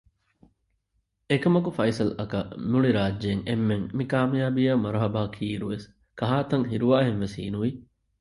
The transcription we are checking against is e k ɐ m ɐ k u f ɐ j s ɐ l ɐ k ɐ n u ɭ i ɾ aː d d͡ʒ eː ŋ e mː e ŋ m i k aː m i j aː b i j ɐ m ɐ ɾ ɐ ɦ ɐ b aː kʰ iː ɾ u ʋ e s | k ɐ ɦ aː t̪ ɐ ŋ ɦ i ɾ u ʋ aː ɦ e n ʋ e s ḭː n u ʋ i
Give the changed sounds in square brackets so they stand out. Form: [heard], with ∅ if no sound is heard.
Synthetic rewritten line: e k ɐ m ɐ k u f ɐ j s ɐ l ɐ k ɐ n u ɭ i ɾ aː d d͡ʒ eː ŋ e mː e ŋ m i k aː m i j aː b i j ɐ m ɐ ɾ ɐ ɦ ɐ b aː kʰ iː ɾ u ʋ e s | k ɐ ɦ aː t̪ ɐ ŋ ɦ i ɾ u ʋ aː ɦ e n ʋ e s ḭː n u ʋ i